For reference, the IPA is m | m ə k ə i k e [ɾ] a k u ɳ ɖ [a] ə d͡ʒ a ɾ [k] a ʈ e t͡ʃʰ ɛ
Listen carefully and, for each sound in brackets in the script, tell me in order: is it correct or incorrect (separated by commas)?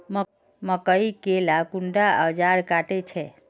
incorrect, correct, correct